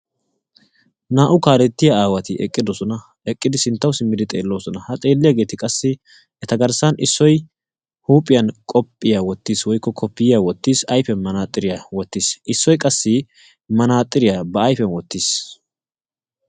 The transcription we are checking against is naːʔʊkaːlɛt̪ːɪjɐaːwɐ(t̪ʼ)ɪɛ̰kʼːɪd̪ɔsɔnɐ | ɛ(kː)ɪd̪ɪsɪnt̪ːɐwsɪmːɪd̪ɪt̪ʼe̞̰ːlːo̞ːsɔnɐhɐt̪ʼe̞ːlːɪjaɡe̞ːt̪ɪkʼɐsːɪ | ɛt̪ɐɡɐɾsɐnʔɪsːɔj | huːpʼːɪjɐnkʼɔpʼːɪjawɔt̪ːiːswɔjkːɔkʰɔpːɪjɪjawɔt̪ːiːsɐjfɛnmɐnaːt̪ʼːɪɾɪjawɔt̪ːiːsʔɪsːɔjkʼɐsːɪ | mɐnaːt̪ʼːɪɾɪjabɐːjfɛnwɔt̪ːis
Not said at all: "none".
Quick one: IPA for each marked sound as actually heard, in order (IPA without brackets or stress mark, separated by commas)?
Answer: t̪, kʼː